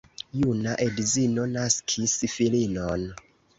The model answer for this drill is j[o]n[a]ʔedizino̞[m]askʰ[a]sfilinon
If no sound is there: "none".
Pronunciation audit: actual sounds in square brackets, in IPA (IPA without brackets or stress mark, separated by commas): u, a, n, i